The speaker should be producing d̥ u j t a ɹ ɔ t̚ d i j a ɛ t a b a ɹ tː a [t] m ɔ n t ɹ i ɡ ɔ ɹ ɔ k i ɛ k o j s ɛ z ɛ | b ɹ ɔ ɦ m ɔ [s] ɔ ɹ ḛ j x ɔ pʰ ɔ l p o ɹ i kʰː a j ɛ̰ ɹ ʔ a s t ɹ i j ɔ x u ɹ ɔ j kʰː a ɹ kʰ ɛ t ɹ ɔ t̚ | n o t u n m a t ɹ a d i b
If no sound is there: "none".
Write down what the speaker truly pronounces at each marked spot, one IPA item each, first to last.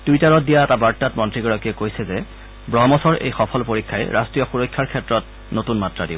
t, s

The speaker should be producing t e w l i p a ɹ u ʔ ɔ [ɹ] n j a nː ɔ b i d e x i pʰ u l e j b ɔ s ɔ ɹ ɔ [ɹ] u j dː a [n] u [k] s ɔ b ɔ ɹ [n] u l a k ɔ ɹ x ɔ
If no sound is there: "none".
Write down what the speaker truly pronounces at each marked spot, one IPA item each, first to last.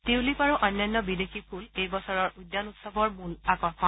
none, ɹ, n, t, m

